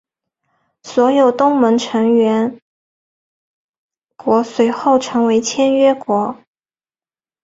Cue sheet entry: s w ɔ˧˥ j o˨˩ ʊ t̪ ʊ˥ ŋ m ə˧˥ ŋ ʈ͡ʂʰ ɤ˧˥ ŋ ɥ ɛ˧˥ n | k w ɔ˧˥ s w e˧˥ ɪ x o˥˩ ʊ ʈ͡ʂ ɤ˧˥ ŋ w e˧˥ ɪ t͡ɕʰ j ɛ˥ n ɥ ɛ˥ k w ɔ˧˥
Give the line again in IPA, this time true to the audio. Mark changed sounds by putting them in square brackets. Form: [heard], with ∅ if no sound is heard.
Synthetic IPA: s w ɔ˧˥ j o˨˩ ʊ t̪ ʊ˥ ŋ m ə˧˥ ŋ ʈ͡ʂʰ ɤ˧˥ ŋ ɥ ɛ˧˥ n | k w ɔ˧˥ s w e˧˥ ɪ x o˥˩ ʊ [ʈ͡ʂʰ] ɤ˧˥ ŋ w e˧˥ ɪ t͡ɕʰ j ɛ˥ n ɥ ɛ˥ k w ɔ˧˥